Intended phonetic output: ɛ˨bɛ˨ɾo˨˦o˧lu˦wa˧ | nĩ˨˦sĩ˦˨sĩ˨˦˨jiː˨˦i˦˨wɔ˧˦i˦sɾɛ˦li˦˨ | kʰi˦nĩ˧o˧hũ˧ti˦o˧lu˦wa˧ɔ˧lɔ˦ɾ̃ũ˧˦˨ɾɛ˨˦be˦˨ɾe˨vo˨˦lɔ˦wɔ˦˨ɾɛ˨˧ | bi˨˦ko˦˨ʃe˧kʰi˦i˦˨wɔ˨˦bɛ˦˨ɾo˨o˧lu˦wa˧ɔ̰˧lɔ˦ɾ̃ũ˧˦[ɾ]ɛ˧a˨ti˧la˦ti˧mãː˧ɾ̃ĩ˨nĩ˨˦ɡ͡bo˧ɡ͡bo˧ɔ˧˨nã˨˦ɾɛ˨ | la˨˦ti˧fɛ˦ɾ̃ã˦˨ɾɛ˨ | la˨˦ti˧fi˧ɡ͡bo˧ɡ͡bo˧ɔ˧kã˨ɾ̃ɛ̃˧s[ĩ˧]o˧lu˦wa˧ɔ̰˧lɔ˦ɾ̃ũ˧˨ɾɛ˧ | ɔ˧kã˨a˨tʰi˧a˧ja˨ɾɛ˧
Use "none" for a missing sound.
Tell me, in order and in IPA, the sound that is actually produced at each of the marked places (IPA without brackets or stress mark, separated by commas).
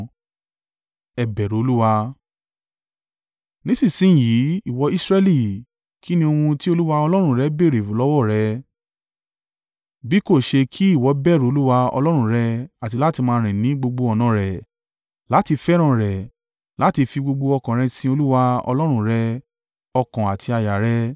ɾ, ĩ˧